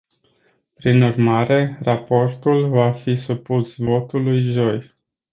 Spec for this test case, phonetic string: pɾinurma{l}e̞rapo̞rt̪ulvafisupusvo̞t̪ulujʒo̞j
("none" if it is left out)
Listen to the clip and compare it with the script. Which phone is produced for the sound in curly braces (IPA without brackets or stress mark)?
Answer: ɾ